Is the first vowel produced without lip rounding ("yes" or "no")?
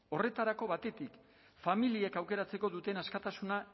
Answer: no